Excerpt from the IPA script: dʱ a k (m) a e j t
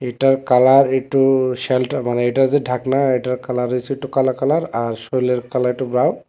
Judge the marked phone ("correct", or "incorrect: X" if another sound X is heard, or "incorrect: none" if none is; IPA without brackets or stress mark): incorrect: n